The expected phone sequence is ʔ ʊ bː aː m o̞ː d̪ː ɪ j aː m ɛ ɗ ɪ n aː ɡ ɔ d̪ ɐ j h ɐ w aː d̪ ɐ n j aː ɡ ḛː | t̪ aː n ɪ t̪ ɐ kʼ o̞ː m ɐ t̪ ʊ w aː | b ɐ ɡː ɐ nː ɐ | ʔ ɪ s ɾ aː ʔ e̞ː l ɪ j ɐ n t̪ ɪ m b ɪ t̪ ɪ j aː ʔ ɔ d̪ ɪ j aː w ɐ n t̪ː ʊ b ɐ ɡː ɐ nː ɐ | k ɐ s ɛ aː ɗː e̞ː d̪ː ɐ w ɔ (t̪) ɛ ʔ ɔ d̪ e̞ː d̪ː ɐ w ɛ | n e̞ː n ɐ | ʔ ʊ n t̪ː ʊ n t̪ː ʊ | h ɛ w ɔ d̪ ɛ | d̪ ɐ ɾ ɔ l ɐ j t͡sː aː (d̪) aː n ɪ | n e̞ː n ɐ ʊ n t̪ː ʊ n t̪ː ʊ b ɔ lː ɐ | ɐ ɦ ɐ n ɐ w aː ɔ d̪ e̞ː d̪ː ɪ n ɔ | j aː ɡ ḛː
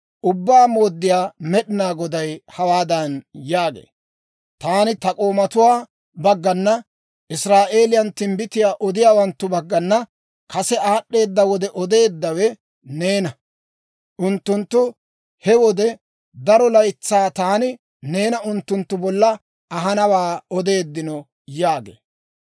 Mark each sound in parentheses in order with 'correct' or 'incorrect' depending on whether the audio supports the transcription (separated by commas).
incorrect, incorrect